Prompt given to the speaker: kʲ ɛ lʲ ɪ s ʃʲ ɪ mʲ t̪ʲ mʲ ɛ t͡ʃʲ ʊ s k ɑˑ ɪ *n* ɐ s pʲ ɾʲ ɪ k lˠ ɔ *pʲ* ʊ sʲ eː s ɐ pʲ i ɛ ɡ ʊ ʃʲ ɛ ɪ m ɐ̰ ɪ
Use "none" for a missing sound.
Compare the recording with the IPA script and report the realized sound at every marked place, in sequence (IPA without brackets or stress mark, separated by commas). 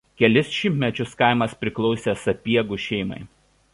m, none